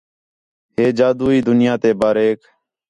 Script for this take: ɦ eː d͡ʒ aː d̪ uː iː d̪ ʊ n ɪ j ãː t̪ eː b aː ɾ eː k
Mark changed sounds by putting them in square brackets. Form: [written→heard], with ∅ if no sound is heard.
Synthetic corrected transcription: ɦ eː d͡ʒ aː d̪ uː iː d̪ ʊ n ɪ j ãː t̪ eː b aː ɾ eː k